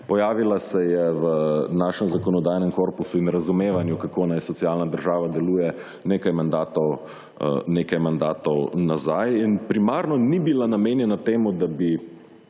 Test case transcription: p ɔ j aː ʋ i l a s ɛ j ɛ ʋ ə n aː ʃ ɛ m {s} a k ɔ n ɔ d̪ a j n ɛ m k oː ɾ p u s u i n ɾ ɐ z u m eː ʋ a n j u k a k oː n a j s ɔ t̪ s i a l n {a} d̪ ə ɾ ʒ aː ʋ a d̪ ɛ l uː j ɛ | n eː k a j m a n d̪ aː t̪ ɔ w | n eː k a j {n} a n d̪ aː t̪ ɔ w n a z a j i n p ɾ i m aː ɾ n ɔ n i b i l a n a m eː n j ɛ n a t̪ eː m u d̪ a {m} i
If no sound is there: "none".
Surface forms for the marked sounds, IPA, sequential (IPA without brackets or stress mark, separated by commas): z, a, m, b